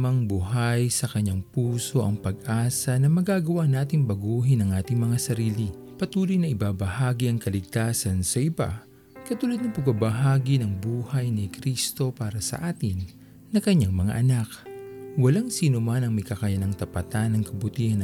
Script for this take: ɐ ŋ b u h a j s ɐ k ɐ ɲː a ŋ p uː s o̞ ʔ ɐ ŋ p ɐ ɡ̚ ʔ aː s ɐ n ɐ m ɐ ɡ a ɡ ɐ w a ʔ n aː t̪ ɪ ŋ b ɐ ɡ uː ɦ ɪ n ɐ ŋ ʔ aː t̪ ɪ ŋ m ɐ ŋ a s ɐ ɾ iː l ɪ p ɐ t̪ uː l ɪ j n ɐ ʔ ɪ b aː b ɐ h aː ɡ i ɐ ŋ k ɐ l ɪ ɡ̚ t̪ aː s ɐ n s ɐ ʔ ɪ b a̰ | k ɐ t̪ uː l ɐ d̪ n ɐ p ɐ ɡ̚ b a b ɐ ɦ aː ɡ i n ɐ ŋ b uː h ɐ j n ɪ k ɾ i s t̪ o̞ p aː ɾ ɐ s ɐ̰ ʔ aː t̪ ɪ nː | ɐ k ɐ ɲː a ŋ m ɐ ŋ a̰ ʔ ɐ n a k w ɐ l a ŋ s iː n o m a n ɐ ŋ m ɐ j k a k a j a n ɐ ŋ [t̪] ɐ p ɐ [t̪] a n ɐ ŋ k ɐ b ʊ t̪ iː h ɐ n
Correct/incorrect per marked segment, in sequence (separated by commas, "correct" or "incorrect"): correct, correct